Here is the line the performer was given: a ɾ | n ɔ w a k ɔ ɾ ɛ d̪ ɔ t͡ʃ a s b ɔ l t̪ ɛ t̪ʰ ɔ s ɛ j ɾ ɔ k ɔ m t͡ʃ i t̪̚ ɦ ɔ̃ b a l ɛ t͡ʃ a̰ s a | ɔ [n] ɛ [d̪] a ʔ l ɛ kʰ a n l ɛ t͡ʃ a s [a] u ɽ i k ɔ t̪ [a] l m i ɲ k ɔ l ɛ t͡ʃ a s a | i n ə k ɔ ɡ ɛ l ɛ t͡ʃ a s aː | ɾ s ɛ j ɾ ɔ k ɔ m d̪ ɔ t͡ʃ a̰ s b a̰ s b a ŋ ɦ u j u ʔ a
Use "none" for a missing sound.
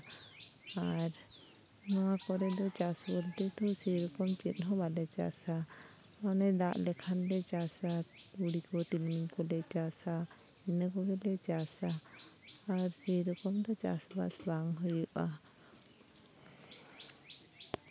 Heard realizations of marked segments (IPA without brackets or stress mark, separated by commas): n, d̪, a, i